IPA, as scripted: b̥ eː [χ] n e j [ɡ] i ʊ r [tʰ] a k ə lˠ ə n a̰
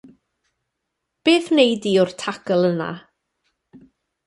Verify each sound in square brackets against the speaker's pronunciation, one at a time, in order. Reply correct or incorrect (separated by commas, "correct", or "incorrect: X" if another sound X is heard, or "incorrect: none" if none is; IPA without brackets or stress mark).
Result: incorrect: θ, incorrect: d, correct